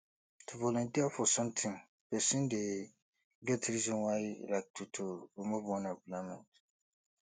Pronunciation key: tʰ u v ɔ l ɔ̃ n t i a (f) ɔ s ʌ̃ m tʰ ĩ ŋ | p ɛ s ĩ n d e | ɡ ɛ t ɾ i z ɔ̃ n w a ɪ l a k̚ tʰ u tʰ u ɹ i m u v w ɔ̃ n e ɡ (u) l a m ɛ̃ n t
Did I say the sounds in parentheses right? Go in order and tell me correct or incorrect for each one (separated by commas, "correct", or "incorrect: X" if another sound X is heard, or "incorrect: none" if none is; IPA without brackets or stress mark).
correct, correct